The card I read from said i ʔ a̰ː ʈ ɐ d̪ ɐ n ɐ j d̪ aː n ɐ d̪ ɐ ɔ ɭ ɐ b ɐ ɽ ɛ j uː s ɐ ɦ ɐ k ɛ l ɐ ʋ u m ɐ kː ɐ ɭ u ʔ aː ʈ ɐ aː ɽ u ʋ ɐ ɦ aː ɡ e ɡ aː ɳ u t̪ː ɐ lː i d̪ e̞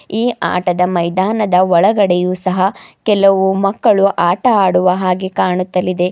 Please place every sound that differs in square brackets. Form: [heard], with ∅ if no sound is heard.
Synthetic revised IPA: [iː] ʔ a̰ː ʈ ɐ d̪ ɐ [m] ɐ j d̪ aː n ɐ d̪ ɐ ɔ ɭ ɐ [ɡ] ɐ ɽ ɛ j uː s ɐ ɦ ɐ k ɛ l ɐ ʋ u m ɐ kː ɐ ɭ u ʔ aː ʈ ɐ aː ɽ u ʋ ɐ ɦ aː ɡ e [k] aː ɳ u t̪ː ɐ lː i d̪ e̞